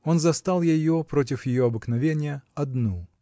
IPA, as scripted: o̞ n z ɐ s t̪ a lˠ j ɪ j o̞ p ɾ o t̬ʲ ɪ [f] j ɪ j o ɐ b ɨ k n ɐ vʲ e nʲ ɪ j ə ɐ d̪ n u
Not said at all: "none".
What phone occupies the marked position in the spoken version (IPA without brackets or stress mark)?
f